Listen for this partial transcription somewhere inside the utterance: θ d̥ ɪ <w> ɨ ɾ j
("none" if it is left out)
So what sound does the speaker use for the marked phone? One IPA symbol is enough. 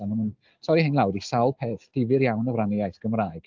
v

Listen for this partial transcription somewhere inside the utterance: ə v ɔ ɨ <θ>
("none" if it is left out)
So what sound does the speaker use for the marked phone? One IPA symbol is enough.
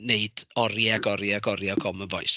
s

